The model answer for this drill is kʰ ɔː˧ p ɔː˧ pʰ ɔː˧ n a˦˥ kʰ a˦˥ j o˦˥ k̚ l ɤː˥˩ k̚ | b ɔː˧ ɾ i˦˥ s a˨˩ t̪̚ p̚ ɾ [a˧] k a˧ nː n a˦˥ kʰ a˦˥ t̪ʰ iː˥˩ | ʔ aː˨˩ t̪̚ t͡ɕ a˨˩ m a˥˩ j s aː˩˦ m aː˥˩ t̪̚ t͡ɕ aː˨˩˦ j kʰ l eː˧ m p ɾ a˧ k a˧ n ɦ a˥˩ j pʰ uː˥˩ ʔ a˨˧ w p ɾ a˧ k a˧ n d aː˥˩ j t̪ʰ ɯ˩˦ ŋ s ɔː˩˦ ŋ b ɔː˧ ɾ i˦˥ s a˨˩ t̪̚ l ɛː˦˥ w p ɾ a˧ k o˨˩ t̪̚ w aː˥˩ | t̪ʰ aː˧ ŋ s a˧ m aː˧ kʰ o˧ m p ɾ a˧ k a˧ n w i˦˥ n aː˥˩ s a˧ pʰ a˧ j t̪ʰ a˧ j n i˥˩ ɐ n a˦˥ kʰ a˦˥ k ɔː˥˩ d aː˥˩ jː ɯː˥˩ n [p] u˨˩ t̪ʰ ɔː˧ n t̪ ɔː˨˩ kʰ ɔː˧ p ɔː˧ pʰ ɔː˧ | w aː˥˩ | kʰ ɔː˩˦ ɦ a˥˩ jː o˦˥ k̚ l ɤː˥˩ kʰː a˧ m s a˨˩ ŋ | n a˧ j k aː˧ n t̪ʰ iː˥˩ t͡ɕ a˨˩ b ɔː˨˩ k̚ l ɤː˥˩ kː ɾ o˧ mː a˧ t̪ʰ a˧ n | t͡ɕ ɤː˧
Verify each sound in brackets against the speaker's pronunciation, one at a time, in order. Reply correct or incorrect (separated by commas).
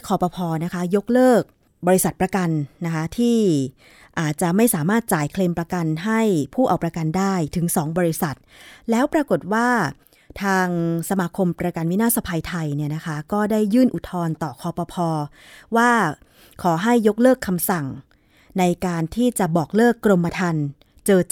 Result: correct, incorrect